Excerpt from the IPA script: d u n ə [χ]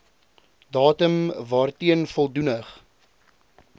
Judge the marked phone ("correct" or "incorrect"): correct